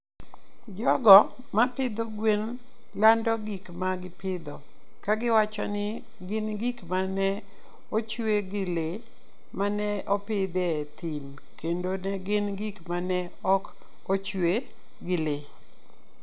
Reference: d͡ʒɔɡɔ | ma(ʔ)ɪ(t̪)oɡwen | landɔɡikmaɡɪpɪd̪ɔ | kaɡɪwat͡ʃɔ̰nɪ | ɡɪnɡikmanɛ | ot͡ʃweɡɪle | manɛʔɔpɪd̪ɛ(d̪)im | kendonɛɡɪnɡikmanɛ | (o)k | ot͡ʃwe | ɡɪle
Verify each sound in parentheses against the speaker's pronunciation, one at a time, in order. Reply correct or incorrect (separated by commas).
incorrect, incorrect, incorrect, incorrect